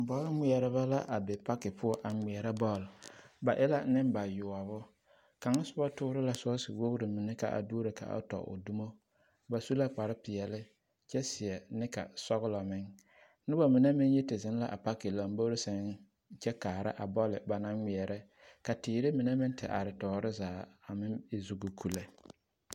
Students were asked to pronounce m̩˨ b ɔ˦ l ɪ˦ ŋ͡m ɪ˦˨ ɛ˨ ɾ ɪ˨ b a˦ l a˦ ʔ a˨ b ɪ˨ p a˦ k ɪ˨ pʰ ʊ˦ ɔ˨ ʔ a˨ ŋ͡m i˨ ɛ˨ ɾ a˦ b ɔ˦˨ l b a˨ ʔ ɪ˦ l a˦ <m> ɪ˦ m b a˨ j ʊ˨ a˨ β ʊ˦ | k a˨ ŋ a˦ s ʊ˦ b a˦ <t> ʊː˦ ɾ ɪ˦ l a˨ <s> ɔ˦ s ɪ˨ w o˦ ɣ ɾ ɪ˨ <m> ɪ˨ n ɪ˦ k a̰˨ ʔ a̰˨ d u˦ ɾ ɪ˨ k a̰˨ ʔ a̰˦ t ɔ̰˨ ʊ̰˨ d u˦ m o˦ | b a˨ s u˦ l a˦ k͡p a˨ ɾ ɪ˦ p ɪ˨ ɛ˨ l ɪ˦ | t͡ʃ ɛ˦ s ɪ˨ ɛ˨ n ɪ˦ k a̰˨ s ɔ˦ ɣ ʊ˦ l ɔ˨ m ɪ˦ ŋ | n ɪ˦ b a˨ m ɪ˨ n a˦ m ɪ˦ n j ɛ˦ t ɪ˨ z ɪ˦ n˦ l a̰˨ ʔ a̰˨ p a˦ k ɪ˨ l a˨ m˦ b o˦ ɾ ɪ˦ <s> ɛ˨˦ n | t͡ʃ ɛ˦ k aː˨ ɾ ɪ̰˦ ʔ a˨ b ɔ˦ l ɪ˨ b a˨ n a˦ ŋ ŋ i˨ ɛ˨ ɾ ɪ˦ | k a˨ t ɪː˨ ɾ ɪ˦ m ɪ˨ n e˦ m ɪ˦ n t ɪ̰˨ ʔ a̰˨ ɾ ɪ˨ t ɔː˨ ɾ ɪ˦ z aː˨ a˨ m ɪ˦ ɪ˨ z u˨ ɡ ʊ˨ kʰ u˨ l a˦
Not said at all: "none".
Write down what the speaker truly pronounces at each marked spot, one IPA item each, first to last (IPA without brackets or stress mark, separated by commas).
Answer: n, t, s, m, s